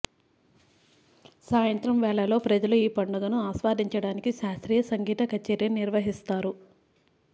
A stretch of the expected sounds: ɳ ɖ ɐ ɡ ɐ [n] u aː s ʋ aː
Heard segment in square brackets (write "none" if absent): n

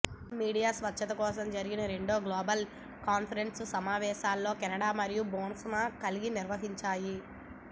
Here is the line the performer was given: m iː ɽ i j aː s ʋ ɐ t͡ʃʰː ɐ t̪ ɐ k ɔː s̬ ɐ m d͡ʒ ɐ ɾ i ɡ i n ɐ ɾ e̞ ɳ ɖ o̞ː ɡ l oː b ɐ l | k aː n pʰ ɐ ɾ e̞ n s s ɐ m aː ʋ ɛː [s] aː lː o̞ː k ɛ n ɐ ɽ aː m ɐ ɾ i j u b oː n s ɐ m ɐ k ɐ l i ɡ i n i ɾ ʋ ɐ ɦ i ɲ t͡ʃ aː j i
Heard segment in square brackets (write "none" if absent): ʃ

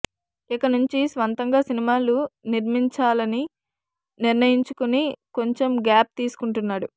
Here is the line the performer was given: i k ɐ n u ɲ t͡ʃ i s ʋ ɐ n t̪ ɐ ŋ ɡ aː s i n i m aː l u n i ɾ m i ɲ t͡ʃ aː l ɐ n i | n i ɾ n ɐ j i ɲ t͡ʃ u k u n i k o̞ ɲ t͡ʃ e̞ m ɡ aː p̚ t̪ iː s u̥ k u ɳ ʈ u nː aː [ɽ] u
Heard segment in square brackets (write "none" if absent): ɽ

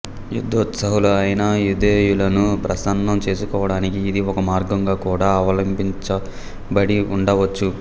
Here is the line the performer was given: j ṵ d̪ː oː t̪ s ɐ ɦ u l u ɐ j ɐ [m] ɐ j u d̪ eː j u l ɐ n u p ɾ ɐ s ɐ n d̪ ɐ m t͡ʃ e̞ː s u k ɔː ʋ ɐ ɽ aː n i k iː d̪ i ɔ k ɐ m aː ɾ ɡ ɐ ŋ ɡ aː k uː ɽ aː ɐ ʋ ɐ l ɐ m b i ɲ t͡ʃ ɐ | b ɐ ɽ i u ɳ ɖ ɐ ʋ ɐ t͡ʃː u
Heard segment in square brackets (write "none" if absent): n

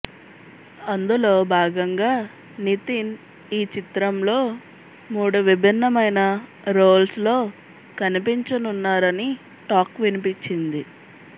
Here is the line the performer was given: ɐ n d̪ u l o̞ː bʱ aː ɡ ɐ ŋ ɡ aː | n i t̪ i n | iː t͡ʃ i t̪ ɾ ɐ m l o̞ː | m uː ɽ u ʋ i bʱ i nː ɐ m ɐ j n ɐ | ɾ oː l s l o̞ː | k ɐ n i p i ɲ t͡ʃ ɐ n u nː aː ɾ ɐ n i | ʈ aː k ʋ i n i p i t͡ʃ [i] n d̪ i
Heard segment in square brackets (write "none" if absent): i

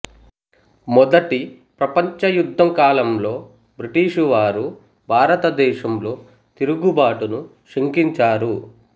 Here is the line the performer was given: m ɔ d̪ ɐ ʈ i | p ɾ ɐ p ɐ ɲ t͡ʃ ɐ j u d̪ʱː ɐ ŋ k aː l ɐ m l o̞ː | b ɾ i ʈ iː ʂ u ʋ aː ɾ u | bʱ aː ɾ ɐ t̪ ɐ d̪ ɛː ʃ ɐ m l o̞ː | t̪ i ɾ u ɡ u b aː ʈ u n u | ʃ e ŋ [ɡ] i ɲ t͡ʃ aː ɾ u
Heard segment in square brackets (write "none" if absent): k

